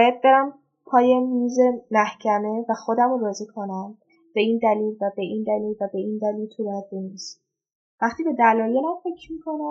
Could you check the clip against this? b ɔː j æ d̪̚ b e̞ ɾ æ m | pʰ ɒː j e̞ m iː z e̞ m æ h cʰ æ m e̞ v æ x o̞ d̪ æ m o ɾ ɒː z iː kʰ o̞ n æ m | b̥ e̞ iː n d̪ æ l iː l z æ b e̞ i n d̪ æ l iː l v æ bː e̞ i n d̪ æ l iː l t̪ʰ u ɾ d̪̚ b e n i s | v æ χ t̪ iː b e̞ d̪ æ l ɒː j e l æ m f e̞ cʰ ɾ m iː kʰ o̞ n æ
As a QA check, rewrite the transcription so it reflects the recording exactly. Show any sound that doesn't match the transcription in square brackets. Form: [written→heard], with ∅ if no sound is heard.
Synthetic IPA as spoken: b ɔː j æ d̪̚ b e̞ ɾ æ m | pʰ ɒː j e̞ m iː z e̞ m æ h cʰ æ m e̞ v æ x o̞ d̪ æ m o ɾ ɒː z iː kʰ o̞ n æ m | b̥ e̞ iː n d̪ æ l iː l [z→v] æ b e̞ i n d̪ æ l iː l v æ [bː→b] e̞ i n d̪ æ l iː l t̪ʰ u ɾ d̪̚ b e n i s | v æ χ t̪ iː b e̞ d̪ æ l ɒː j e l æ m f e̞ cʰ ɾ m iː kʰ o̞ n æ